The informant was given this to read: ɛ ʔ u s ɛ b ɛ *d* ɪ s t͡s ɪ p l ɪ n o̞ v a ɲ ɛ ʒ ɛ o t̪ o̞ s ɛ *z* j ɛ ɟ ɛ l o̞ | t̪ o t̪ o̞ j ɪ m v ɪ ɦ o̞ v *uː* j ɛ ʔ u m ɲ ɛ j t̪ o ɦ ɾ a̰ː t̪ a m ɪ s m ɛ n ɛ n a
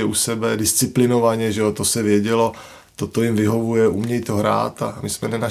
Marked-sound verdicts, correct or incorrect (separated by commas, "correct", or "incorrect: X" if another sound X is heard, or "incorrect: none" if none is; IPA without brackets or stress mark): correct, incorrect: v, incorrect: u